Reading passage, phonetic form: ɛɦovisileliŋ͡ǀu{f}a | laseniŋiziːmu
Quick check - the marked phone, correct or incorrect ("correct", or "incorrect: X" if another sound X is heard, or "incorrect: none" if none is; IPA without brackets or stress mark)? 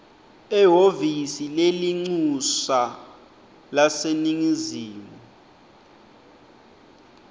incorrect: s